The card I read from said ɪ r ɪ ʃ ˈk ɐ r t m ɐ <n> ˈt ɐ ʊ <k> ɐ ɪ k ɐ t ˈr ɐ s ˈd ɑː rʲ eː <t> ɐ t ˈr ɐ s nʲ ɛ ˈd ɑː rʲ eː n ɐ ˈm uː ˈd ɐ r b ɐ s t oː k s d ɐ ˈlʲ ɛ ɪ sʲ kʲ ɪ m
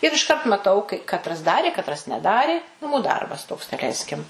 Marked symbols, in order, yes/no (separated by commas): no, yes, no